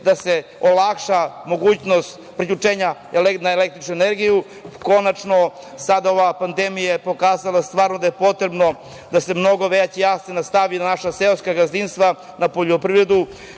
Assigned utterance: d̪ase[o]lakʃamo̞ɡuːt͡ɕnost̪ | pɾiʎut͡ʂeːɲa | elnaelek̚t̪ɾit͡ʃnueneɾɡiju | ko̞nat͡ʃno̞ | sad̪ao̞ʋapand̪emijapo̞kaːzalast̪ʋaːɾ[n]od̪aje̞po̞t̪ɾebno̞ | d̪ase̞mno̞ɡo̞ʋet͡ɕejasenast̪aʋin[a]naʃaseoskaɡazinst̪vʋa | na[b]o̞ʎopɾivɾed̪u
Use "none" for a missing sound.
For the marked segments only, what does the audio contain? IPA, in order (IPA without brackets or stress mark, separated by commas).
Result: o, n, a, p